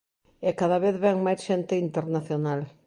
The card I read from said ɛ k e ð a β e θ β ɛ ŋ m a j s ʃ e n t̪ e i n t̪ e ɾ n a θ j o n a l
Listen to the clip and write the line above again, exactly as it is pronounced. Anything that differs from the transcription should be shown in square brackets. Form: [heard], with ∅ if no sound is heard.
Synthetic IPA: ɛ k [a] ð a β e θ β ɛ ŋ m a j s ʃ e n t̪ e i n t̪ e ɾ n a θ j o n a l